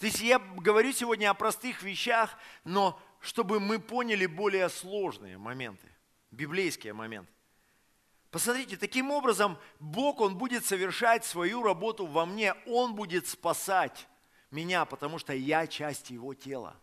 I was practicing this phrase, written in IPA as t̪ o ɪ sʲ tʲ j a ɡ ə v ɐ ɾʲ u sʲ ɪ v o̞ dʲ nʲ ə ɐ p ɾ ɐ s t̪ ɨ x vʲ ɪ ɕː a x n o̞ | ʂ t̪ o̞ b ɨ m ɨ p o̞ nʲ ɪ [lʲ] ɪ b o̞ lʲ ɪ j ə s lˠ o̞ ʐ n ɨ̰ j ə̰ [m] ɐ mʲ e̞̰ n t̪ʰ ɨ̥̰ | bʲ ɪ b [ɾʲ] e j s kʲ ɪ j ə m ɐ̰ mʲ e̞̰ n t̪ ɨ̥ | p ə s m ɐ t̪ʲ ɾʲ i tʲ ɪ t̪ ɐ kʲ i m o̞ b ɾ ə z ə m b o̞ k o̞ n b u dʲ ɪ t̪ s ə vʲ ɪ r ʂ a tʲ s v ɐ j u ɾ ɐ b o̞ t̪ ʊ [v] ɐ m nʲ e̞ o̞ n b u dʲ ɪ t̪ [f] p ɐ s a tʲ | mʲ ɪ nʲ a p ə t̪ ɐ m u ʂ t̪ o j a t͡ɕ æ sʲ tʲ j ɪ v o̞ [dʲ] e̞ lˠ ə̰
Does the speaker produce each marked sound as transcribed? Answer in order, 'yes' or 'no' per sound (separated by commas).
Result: yes, yes, no, yes, no, no